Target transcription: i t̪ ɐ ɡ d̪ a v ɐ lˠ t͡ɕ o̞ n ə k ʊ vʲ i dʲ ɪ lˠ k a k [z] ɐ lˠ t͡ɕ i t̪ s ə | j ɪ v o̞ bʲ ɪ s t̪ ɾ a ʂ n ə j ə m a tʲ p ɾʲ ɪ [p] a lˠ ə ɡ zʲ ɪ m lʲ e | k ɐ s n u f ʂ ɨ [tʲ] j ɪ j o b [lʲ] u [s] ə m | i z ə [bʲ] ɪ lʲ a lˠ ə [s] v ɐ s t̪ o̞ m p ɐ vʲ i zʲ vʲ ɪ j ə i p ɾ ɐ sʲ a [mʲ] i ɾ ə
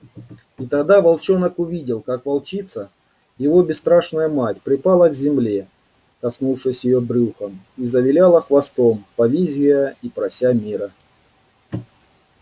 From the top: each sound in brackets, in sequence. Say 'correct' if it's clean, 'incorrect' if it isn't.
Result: incorrect: v, correct, incorrect: sʲ, incorrect: ɾʲ, incorrect: x, incorrect: vʲ, incorrect: x, correct

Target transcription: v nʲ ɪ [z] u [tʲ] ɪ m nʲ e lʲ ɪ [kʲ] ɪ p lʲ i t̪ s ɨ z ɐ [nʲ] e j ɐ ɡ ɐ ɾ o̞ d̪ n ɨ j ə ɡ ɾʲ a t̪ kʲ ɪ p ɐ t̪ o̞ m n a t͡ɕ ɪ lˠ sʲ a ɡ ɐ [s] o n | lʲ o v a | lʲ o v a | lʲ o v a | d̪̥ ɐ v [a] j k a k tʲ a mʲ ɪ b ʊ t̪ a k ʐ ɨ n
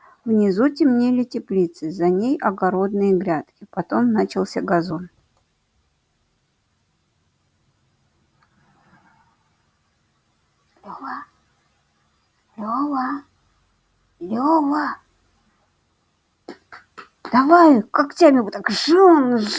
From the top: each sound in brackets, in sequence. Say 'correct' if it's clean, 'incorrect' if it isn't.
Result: correct, correct, incorrect: tʲ, correct, incorrect: z, correct

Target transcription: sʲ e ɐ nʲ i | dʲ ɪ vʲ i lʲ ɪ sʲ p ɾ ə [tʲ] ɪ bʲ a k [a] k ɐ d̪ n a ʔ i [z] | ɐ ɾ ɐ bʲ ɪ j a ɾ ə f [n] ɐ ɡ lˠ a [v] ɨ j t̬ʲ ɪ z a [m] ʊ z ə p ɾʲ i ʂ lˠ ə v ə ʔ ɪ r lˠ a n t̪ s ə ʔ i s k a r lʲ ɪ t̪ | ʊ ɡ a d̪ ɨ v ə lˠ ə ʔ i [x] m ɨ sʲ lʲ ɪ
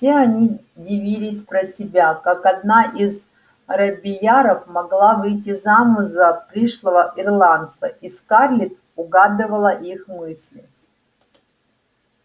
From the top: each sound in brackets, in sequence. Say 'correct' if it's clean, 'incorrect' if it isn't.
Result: incorrect: sʲ, correct, correct, incorrect: m, correct, correct, correct

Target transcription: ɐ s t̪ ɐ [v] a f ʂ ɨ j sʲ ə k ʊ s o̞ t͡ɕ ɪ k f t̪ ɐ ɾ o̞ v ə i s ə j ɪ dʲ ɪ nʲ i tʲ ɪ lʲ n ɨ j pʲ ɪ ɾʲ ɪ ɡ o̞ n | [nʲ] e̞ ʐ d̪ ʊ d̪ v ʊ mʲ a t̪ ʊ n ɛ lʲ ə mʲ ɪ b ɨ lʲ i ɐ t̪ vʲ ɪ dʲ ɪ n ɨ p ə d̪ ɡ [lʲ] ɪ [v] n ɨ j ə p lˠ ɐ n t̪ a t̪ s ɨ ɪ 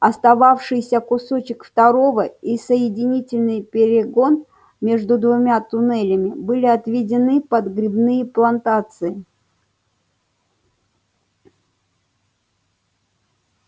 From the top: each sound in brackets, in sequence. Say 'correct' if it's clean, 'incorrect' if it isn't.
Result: correct, incorrect: mʲ, incorrect: ɾʲ, incorrect: b

